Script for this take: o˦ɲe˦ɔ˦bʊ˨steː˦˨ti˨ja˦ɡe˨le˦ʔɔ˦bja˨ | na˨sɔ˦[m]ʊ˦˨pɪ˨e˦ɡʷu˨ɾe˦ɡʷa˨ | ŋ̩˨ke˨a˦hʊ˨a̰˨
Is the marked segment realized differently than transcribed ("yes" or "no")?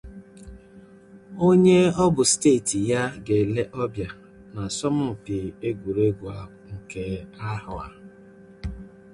no